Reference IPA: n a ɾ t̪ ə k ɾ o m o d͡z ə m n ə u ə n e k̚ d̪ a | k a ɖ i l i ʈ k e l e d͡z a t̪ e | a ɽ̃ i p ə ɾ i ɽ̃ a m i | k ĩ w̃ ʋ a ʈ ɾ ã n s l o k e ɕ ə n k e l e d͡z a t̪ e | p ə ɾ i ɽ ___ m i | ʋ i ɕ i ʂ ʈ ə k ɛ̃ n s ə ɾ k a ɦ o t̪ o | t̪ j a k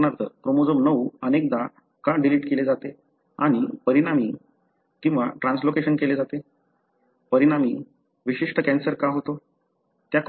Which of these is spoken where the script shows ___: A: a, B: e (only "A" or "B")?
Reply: A